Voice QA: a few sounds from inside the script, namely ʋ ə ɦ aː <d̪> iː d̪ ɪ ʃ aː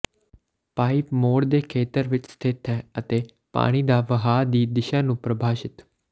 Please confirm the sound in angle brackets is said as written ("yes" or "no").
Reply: yes